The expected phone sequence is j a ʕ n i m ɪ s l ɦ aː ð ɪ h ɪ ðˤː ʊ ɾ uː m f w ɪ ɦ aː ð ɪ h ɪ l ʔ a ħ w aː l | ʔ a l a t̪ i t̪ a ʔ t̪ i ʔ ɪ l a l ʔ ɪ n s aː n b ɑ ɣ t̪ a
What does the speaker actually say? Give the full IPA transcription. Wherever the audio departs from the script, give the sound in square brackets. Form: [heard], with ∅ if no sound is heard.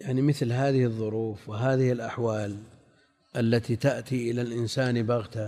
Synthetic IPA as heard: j a ʕ n i m ɪ [θ] l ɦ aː ð ɪ h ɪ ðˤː ʊ ɾ uː [∅] f w ɪ ɦ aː ð ɪ h ɪ l ʔ a ħ w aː l | ʔ a [lː] a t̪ i t̪ a ʔ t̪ i ʔ ɪ l a l ʔ ɪ n s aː n b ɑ ɣ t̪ a